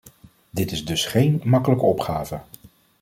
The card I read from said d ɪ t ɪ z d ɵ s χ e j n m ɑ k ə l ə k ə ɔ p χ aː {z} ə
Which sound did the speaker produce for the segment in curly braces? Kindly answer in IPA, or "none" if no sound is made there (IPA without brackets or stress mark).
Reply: v